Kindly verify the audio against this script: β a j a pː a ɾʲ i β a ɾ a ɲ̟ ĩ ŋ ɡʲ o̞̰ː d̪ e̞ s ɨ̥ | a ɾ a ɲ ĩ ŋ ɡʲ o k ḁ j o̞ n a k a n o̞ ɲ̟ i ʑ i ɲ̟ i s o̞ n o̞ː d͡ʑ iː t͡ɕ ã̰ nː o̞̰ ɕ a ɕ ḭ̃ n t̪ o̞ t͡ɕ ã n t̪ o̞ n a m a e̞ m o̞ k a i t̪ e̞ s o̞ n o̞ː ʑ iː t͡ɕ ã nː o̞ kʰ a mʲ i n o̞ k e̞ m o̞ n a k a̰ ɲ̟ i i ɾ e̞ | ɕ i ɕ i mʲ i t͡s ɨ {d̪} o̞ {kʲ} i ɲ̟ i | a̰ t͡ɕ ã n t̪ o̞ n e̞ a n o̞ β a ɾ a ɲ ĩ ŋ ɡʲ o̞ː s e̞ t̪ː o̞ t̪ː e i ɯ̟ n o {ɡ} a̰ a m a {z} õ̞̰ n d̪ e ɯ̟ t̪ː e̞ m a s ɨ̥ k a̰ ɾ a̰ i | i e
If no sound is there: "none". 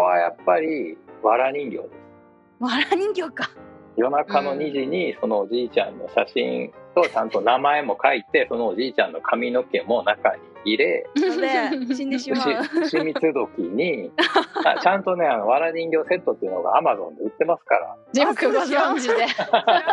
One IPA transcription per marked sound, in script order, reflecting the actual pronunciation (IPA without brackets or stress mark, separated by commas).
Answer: d̪, kʲ, ɡ, z